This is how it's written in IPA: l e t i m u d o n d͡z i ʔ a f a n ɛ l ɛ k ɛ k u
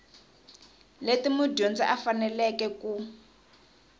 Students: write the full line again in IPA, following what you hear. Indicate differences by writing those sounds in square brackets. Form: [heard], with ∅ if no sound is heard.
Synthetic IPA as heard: l e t i m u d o n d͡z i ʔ a f a n ɛ l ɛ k ɛ k u